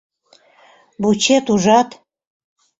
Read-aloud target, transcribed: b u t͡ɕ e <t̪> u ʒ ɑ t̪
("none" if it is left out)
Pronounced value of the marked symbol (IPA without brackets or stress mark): t̪